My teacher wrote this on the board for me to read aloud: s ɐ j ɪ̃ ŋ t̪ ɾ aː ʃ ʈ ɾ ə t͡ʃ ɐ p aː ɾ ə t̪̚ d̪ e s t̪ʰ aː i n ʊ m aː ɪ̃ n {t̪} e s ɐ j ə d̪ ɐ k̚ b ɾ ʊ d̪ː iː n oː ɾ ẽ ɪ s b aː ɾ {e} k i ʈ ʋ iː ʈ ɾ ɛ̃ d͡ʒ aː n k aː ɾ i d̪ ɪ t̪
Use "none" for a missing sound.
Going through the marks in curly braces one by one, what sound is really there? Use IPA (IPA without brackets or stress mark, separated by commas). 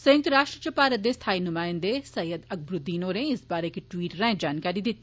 d̪, e